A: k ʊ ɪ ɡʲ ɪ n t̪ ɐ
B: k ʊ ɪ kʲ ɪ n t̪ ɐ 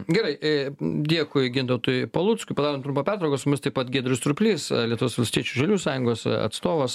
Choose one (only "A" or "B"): A